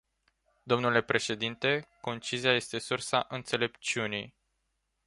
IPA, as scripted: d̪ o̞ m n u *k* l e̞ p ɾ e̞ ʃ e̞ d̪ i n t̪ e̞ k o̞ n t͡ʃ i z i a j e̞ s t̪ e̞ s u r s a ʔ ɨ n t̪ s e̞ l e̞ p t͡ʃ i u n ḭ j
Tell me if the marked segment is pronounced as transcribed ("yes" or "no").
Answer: no